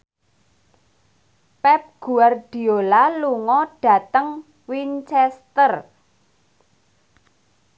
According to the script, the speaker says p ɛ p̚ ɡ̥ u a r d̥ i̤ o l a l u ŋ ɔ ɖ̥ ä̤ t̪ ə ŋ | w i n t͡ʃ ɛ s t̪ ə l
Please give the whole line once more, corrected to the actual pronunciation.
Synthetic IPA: p ɛ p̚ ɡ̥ u a r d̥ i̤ o l a l u ŋ ɔ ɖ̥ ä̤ t̪ ə ŋ | w i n t͡ʃ ɛ s t̪ ə r